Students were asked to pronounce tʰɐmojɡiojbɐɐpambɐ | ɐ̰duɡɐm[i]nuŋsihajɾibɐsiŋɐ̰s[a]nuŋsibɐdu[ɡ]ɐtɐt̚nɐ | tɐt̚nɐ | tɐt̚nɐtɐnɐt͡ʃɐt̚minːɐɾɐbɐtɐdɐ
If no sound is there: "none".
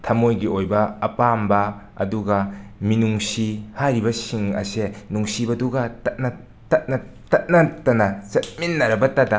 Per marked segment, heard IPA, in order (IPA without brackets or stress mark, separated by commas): i, e, ɡ